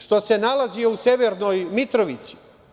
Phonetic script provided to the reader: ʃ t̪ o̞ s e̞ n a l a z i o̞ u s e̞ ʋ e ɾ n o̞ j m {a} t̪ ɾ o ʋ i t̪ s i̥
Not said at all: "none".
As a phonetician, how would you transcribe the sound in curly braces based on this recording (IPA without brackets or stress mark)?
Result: i